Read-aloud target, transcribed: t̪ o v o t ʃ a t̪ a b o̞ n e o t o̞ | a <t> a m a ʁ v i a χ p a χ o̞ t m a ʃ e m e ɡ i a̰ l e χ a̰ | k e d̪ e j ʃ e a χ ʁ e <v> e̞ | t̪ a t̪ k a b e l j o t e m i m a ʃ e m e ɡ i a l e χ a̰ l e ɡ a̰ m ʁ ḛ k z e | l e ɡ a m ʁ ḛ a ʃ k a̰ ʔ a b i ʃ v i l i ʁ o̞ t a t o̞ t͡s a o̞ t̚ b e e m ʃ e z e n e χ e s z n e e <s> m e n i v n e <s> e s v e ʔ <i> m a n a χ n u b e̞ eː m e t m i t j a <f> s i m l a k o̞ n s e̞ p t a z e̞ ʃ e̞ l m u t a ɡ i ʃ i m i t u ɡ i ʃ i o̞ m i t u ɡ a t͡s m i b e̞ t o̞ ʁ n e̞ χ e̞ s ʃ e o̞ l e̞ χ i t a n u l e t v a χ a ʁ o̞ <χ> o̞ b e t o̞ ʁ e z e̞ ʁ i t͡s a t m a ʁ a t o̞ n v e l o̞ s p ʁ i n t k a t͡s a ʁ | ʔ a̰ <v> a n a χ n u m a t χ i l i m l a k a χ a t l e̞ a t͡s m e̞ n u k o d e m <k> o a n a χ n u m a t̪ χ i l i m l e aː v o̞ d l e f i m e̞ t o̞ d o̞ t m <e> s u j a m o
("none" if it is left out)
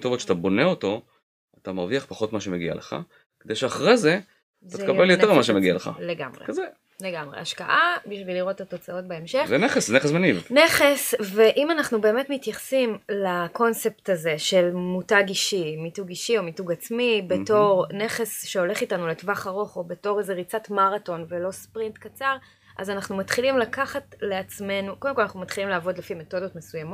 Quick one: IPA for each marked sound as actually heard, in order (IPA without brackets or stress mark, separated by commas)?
t, z, s, χ, i, χ, χ, z, k, e